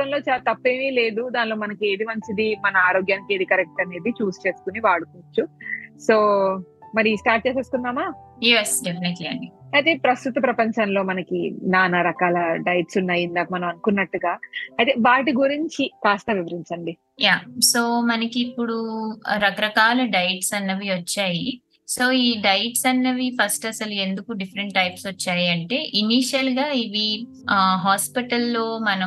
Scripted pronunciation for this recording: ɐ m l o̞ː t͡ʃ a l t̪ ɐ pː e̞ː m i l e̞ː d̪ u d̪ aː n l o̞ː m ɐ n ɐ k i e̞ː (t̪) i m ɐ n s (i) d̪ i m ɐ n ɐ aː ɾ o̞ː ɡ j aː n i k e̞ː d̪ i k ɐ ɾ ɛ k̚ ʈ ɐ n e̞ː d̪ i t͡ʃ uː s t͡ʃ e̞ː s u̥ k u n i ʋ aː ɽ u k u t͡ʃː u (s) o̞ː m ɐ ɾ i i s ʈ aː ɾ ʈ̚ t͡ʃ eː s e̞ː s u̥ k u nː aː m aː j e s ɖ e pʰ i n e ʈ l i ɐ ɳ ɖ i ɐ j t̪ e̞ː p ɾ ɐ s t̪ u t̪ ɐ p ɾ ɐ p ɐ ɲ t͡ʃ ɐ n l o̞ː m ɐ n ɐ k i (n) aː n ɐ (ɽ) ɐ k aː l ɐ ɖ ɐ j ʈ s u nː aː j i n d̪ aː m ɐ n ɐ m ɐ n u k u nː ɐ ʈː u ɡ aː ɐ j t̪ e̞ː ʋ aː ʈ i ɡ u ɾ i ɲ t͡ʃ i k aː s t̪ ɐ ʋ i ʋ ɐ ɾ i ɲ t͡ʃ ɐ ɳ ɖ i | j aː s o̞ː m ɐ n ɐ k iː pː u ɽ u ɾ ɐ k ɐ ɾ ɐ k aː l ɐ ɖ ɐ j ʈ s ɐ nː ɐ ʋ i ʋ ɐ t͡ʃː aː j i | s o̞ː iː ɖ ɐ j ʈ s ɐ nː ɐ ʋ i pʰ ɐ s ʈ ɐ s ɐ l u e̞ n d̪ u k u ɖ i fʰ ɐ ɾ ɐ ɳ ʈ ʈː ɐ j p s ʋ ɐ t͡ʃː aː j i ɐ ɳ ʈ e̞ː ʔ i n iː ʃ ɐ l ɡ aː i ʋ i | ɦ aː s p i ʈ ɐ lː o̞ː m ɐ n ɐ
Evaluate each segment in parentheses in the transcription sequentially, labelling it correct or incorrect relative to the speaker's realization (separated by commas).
incorrect, correct, correct, correct, incorrect